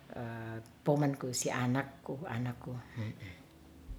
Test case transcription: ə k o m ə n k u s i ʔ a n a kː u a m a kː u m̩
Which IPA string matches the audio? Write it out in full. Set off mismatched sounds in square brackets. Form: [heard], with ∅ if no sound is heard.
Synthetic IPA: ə [p] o m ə n k u s i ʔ a n a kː u a [n] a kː u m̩

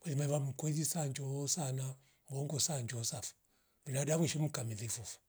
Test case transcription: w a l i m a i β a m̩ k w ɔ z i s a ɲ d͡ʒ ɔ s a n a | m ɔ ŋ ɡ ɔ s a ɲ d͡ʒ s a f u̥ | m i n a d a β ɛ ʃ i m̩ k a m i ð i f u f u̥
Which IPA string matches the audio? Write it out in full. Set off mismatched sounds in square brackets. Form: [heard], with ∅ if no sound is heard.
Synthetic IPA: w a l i m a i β a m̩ k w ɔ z i s a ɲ d͡ʒ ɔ s a n a | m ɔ ŋ ɡ ɔ s a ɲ d͡ʒ s a f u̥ | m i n a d a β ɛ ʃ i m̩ k a m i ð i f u f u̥

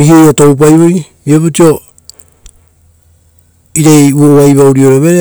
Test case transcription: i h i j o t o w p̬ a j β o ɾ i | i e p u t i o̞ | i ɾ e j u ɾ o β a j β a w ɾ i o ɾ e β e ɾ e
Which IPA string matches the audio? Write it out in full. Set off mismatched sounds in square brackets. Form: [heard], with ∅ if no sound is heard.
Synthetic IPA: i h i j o t o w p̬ a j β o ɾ i | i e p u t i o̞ | i ɾ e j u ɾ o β a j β a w ɾ i o ɾ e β e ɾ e

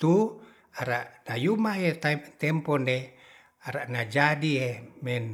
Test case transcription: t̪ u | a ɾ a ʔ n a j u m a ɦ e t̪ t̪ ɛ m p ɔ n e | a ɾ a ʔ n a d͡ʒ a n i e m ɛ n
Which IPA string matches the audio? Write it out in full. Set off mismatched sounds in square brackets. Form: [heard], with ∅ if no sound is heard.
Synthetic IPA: t̪ u | a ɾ a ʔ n a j u m a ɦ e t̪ t̪ ɛ m p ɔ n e | a ɾ a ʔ n a d͡ʒ a [d] i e m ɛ n

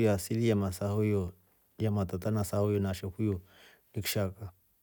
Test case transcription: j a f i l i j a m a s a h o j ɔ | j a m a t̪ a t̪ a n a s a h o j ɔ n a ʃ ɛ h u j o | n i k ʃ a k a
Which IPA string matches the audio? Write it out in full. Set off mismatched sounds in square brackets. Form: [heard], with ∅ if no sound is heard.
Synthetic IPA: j a [s] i l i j a m a s a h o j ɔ | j a m a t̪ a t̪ a n a s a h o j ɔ n a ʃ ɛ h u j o | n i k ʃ a k a

